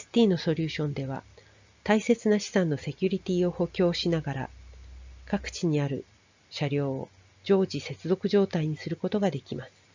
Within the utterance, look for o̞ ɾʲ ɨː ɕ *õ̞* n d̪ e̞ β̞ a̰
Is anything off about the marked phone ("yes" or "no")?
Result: no